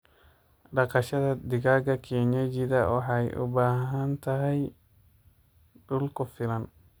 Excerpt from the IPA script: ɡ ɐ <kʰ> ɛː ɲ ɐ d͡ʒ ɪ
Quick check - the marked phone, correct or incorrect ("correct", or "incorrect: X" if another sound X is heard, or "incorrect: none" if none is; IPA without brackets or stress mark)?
correct